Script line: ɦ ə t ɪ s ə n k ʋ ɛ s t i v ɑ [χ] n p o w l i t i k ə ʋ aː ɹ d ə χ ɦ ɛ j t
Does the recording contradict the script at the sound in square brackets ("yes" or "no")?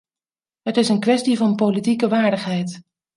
yes